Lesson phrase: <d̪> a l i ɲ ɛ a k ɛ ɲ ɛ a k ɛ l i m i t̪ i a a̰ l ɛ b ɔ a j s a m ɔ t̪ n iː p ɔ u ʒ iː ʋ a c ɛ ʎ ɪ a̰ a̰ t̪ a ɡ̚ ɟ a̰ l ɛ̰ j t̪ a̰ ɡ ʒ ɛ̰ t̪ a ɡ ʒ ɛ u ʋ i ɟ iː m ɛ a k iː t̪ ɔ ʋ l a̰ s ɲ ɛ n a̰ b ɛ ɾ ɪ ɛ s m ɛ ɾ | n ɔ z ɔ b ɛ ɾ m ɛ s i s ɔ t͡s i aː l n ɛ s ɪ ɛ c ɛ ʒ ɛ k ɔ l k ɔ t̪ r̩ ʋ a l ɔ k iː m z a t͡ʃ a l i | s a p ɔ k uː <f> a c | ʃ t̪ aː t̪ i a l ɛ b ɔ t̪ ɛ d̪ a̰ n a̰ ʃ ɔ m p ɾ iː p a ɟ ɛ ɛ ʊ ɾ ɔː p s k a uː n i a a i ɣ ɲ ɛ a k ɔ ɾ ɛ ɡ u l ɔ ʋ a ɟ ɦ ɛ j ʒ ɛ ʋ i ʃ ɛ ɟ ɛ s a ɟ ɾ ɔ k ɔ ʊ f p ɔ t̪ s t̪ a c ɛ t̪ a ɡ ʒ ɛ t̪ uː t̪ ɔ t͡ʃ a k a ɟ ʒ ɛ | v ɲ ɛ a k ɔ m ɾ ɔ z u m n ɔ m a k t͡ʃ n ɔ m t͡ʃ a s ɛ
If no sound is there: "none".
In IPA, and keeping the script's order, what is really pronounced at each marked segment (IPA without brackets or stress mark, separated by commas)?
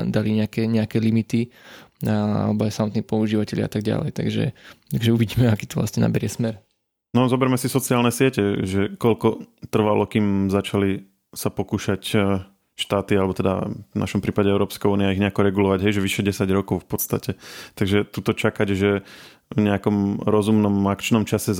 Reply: d̪, ʃ